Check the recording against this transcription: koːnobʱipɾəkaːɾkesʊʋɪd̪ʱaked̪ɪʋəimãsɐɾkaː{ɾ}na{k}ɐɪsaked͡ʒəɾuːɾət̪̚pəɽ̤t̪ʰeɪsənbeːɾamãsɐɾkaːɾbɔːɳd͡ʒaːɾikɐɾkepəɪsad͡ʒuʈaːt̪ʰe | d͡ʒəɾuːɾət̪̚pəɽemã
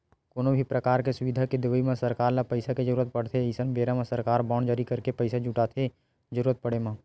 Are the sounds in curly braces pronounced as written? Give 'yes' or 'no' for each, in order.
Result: yes, no

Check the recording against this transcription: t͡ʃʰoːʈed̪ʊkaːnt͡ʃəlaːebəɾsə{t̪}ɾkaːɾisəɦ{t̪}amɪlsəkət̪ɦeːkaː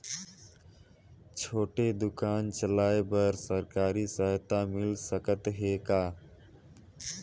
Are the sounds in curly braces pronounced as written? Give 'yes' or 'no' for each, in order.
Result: no, yes

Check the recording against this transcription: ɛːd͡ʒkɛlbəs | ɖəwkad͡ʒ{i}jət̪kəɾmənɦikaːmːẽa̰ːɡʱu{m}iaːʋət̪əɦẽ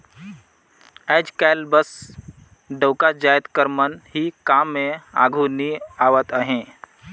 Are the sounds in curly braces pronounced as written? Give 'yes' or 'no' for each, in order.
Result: no, no

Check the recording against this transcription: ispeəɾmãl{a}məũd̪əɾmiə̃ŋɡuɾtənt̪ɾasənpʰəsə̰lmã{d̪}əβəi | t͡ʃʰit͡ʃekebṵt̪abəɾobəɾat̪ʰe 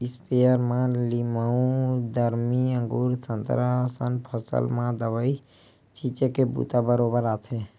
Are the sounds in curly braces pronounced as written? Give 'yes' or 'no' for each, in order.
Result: no, yes

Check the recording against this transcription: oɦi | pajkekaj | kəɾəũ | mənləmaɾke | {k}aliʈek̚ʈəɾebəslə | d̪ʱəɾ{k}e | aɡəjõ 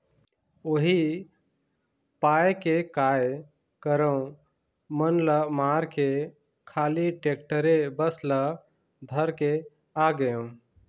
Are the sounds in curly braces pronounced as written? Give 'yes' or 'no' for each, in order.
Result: no, yes

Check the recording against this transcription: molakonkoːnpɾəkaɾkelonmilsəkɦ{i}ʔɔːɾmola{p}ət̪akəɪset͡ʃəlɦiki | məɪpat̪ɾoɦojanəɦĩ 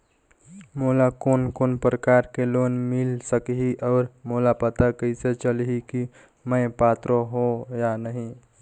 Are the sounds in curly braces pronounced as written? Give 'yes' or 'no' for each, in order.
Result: yes, yes

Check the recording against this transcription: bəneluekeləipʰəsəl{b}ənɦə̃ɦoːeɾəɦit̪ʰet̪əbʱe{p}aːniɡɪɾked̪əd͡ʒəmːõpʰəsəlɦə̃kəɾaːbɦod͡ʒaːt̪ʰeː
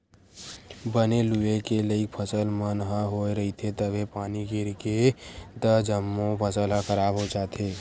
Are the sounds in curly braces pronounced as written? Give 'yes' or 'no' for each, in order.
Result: no, yes

